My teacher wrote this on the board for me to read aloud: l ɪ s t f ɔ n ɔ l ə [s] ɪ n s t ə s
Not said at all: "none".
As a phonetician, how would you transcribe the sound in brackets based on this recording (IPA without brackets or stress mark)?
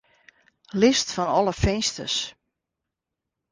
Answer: f